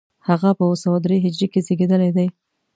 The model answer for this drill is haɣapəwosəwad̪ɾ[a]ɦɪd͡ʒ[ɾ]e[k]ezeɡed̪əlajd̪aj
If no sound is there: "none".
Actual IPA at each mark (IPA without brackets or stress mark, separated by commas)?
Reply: e, ɾ, k